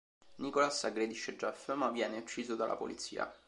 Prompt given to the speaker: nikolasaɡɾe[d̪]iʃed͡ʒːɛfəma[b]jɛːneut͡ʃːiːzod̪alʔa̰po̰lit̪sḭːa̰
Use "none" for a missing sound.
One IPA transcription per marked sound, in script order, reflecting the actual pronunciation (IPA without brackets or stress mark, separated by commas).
d̪, v